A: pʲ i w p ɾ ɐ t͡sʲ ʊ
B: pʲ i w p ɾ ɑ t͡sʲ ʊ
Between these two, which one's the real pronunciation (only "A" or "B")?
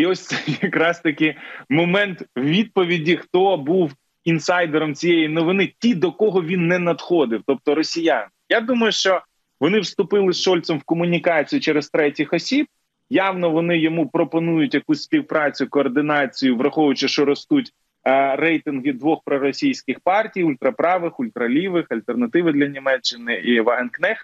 B